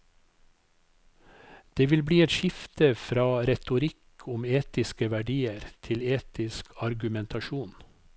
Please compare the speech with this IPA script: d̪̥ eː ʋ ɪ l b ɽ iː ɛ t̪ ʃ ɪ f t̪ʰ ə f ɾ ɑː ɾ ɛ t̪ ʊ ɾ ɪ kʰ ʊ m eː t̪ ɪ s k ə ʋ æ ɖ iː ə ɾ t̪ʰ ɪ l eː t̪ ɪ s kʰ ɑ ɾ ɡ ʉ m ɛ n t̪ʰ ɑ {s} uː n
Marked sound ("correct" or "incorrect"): incorrect